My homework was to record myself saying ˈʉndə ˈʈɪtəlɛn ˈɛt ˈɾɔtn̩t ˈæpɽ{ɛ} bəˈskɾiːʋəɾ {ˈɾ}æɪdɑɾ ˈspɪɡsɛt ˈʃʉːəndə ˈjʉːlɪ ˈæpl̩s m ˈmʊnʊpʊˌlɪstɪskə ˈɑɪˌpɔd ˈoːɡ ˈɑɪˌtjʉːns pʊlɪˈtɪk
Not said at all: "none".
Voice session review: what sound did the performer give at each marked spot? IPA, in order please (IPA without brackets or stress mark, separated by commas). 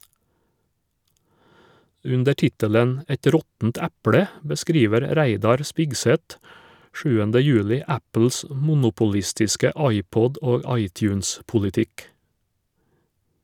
ɛ, ɾ